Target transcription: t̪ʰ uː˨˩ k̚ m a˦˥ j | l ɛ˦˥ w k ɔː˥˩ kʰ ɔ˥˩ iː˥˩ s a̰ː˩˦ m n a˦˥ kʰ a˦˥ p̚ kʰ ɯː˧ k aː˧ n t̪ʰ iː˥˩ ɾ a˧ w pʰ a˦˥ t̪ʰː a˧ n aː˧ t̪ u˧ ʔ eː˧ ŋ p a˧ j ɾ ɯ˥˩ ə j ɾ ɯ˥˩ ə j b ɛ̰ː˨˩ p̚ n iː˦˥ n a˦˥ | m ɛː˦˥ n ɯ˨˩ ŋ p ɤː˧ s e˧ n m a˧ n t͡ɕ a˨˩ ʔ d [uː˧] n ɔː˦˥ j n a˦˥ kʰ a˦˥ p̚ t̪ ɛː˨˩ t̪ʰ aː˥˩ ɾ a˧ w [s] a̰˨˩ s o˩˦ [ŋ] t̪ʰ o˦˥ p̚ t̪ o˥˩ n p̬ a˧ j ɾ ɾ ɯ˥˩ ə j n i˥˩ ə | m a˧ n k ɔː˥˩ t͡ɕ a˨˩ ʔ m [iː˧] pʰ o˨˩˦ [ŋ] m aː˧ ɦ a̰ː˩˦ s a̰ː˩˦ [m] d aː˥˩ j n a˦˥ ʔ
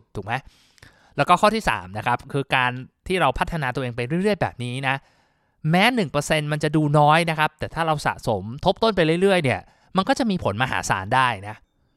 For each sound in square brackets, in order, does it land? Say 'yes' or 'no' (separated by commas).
yes, yes, no, yes, no, no